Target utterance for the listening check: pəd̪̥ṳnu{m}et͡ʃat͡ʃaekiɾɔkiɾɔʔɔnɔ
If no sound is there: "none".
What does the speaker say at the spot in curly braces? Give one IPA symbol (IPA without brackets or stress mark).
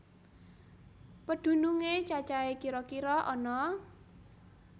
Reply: ŋ